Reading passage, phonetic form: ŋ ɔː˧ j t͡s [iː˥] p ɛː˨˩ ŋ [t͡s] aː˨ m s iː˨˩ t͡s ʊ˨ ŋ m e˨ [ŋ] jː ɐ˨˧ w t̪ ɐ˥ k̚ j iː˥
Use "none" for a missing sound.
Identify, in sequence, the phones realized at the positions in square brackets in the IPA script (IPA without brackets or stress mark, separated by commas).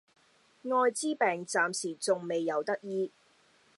iː˥, t͡s, none